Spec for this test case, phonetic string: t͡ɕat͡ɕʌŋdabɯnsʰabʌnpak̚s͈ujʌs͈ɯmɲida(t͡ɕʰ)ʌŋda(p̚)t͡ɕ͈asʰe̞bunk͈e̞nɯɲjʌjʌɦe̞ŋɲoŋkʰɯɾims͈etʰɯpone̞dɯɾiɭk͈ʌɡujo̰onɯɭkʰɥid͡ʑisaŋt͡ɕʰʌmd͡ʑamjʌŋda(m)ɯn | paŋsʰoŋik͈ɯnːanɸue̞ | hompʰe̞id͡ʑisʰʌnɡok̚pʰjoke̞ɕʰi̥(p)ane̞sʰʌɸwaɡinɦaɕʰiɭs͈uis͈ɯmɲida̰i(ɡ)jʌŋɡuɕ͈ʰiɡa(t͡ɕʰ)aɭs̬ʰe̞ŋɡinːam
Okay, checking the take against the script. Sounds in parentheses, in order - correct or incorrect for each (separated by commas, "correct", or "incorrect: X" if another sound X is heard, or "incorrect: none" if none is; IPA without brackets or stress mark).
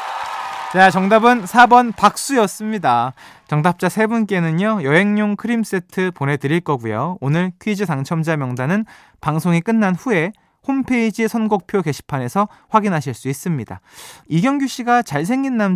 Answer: incorrect: t͡ɕ, correct, incorrect: n, incorrect: pʰ, correct, incorrect: t͡ɕ